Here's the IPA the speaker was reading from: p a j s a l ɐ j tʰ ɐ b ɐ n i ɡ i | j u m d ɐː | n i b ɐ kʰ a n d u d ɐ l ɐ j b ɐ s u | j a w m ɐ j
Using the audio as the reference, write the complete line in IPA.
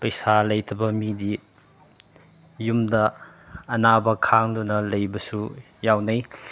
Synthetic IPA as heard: p ɐ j s a l ɐ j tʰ ɐ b ɐ m i d i | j u m d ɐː | n a b ɐ kʰ a ŋ d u n ɐ l ɐ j b ɐ s u | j a w n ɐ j